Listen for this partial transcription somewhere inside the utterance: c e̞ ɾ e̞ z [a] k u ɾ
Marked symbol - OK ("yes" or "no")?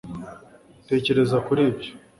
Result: yes